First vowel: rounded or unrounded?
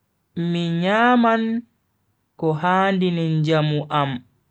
unrounded